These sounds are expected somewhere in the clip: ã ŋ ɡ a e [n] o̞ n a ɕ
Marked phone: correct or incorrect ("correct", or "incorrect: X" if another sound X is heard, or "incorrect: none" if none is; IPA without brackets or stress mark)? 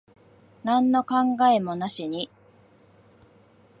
incorrect: m